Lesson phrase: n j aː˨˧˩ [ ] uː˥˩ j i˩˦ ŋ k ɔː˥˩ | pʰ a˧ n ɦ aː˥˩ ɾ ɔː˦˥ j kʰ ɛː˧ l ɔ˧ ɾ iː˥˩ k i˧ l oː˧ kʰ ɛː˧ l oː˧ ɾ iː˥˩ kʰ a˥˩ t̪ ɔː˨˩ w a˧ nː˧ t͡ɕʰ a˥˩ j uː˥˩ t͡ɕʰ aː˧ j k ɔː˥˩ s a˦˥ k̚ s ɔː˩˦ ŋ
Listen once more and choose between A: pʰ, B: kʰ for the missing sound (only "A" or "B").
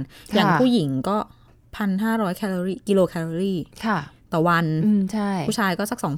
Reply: A